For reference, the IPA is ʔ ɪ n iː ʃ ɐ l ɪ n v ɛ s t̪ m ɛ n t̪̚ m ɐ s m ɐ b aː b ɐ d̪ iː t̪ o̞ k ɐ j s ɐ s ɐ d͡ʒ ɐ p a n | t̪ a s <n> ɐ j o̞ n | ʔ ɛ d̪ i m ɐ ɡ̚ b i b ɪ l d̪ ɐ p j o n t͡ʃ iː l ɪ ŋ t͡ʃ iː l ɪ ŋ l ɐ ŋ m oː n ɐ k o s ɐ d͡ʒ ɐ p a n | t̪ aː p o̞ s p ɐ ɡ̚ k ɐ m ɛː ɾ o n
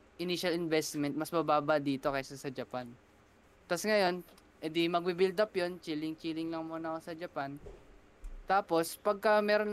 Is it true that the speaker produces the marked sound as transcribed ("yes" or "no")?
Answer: no